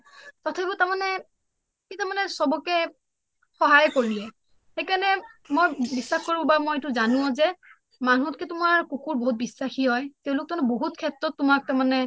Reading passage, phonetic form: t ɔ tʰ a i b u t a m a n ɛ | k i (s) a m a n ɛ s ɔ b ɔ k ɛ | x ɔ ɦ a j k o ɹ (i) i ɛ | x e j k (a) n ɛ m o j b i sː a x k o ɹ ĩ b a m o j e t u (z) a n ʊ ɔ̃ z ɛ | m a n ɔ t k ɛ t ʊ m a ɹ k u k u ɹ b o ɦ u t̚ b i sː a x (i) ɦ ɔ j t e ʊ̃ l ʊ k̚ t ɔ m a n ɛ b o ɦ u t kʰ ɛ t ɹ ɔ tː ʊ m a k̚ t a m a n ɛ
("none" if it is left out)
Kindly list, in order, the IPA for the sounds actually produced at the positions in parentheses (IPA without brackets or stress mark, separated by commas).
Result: t, i, a, z, i